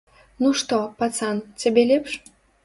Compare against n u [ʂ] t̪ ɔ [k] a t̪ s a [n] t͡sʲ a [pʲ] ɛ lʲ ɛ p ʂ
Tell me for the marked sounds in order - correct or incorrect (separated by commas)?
correct, incorrect, correct, incorrect